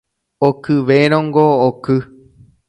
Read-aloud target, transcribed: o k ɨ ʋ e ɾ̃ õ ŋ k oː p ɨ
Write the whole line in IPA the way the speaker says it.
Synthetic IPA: o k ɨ ʋ e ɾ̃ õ ŋ ɡ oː k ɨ